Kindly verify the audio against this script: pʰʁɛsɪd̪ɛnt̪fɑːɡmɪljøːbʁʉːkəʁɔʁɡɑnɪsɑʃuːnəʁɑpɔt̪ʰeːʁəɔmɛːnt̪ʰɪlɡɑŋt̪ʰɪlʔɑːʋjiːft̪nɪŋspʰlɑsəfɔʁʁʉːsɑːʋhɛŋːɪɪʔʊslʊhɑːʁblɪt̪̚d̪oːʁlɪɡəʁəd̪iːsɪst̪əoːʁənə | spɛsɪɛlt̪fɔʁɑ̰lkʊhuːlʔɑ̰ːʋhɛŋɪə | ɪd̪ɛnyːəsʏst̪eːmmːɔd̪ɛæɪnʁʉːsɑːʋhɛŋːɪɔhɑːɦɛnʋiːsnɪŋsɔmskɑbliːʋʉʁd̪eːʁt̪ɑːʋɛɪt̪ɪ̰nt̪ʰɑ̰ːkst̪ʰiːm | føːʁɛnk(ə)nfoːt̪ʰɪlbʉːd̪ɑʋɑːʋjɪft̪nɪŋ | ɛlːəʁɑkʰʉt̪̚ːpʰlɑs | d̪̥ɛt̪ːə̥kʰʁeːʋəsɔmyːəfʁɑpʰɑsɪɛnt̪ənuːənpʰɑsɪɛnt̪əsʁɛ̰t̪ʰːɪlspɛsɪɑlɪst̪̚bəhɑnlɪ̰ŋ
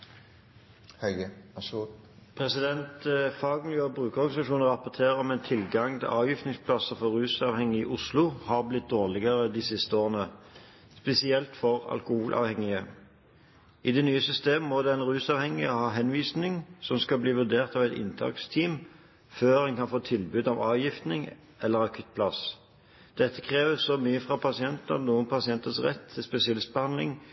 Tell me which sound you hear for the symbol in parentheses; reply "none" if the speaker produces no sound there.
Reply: ɑ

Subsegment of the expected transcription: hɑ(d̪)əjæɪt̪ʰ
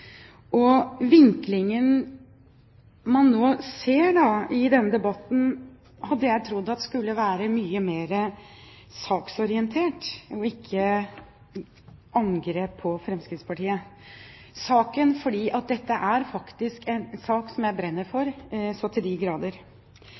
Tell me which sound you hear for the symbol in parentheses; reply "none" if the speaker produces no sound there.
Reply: d̪ː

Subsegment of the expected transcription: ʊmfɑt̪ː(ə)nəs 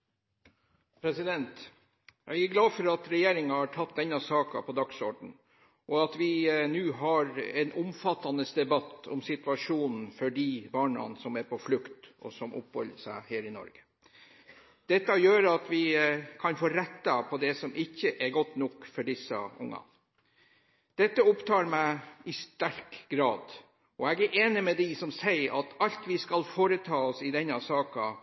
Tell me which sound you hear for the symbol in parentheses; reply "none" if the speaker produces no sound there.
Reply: ɑ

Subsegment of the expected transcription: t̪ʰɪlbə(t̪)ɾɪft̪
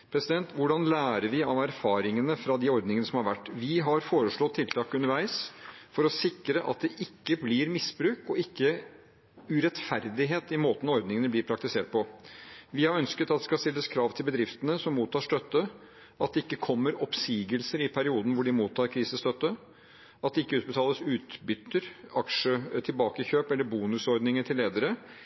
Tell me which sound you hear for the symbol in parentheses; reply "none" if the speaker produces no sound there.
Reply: d̪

